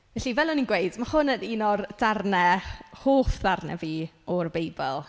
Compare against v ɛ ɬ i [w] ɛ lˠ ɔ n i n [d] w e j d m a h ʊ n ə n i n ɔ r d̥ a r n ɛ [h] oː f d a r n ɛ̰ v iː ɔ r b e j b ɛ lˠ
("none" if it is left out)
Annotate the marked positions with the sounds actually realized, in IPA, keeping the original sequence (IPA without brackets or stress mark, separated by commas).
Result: v, ɡ, h